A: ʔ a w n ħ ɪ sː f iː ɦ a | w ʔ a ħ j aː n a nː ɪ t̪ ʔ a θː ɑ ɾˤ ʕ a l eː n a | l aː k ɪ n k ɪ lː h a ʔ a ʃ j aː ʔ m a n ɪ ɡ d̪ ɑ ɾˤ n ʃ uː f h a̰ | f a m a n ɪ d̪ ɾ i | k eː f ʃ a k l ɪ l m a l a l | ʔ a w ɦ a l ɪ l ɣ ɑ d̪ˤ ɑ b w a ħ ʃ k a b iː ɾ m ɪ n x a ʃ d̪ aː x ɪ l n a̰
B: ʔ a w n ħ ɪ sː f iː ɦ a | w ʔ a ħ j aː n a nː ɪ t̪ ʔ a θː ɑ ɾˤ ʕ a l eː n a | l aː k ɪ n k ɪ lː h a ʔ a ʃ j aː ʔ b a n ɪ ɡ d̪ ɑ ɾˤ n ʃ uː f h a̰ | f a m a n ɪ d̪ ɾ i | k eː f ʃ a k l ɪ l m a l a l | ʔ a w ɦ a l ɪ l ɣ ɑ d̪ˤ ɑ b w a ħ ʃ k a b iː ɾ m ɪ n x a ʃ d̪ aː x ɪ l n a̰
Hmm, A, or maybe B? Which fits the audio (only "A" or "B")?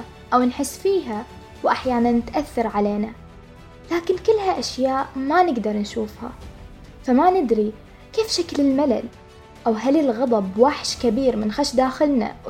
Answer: A